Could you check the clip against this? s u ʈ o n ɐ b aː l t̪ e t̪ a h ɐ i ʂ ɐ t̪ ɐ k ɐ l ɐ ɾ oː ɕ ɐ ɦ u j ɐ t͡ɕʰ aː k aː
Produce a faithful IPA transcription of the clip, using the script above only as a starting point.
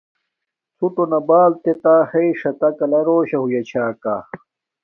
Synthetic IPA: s u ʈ o n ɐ b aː l t̪ e t̪ a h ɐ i ʂ ɐ t̪ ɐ k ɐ l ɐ ɾ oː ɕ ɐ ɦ u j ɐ t͡ɕʰ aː k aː